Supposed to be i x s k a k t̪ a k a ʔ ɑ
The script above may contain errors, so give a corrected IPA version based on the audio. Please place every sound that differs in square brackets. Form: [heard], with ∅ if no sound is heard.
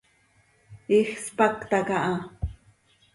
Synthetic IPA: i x s [p] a k t̪ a k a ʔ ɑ